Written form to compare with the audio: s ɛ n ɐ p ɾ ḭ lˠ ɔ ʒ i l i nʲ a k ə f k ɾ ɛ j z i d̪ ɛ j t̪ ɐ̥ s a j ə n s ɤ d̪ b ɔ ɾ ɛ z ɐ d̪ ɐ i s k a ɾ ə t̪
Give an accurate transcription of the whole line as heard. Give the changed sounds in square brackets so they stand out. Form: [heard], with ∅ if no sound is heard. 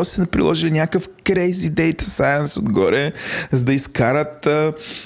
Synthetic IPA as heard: s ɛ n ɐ p ɾ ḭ lˠ ɔ ʒ i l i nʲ a k ə f k ɾ ɛ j z i d̪ ɛ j t̪ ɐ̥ s a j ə n s [o] d̪ [ɡ] ɔ ɾ ɛ z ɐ d̪ ɐ i s k a ɾ ə t̪